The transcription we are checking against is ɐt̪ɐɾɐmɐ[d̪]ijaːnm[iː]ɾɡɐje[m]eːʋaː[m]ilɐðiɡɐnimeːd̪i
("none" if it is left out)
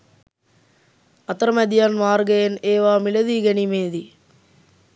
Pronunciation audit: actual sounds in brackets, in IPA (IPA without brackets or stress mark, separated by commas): d̪, aː, n, m